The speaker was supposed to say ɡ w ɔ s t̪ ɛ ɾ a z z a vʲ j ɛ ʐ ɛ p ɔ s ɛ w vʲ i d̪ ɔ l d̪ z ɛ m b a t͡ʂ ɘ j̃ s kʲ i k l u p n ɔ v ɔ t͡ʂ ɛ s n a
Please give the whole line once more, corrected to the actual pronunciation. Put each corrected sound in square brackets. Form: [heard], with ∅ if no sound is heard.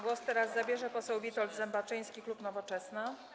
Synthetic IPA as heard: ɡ w ɔ s t̪ ɛ ɾ a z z a [bʲ] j ɛ ʐ ɛ p ɔ s ɛ w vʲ i [t̪] ɔ l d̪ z ɛ m b a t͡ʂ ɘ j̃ s kʲ i k l u p n ɔ v ɔ t͡ʂ ɛ s n a